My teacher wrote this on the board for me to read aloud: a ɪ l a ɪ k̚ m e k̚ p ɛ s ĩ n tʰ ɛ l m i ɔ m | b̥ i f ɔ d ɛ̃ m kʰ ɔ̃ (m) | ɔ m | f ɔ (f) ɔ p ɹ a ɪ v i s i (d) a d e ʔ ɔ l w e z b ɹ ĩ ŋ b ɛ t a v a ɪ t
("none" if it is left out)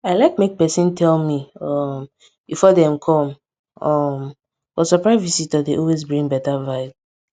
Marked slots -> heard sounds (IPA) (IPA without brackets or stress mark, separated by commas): m, s, t